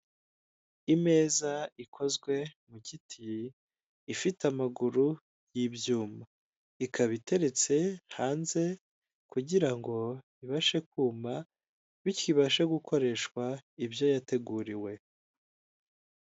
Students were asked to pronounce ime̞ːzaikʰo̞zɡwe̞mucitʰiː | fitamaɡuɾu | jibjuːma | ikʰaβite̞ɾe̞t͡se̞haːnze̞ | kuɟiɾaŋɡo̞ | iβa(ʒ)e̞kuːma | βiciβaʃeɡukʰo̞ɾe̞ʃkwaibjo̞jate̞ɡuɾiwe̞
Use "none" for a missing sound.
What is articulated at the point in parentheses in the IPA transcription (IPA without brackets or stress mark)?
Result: ʃ